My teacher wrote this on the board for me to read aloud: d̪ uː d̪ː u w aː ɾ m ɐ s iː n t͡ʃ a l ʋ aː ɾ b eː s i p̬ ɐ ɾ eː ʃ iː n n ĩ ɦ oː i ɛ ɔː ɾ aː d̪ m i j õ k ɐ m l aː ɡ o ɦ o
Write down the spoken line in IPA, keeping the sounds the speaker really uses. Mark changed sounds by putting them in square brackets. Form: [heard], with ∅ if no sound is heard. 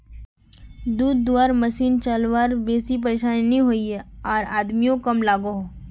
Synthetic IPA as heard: d̪ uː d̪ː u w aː ɾ m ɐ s iː n t͡ʃ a l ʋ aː ɾ b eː s i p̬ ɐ ɾ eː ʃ [aː] n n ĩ ɦ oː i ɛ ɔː ɾ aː d̪ m i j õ k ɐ m l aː ɡ o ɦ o